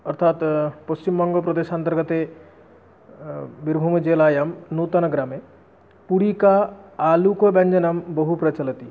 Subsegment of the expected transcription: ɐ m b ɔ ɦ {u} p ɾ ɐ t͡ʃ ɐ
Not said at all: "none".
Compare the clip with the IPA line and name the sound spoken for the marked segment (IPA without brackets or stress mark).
u